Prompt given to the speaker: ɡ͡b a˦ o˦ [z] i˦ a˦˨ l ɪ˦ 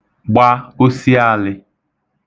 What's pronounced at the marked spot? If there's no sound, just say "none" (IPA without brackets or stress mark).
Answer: s